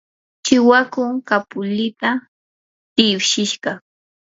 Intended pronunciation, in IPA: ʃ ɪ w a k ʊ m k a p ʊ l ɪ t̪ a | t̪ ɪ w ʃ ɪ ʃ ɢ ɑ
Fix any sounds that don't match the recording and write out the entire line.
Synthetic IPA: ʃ ɪ w a k ʊ ŋ k a p ʊ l ɪ t̪ a | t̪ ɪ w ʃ ɪ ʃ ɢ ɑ